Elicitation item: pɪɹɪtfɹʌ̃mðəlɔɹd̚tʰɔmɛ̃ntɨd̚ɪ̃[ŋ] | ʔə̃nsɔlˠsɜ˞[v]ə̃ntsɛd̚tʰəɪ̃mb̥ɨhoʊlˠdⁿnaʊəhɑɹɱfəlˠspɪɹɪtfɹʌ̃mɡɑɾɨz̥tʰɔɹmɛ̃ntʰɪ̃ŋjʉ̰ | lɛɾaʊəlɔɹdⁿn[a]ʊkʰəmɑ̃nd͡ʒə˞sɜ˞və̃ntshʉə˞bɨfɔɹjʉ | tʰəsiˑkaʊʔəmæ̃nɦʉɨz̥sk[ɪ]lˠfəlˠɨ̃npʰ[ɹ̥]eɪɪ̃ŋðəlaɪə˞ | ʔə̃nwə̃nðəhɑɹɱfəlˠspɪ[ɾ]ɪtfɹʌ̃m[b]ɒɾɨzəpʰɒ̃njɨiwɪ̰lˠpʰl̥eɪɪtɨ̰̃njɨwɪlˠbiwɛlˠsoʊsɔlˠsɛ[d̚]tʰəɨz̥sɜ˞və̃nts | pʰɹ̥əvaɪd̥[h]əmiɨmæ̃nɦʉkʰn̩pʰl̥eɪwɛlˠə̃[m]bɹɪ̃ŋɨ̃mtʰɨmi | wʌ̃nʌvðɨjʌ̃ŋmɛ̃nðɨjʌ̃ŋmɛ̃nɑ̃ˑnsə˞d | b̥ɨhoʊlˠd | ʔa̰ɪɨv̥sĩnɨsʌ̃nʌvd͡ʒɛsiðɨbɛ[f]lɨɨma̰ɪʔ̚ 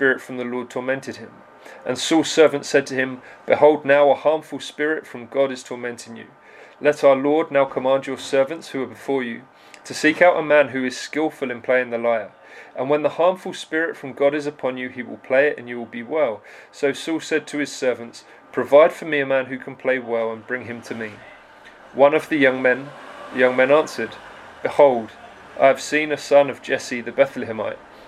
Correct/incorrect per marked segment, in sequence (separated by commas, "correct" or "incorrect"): incorrect, correct, correct, correct, incorrect, incorrect, incorrect, correct, incorrect, incorrect, incorrect